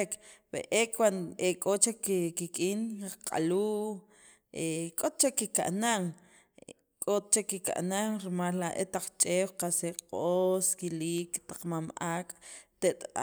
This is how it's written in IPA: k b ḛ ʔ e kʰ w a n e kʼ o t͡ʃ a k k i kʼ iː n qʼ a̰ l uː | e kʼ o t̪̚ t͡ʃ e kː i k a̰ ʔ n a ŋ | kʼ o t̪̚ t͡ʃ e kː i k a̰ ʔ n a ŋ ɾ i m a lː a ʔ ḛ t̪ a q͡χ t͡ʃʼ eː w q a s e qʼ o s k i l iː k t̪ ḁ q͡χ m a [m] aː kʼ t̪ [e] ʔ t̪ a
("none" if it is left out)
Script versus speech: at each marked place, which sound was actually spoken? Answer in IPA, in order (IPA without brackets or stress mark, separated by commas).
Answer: m, e